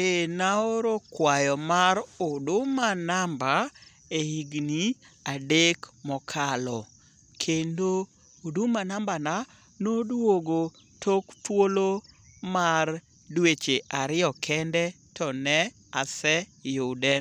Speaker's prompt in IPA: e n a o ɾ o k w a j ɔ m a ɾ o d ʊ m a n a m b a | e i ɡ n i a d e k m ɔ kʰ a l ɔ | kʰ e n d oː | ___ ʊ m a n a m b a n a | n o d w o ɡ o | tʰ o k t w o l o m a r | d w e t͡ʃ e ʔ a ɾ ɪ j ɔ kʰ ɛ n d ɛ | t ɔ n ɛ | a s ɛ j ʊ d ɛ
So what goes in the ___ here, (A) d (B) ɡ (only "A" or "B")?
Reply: A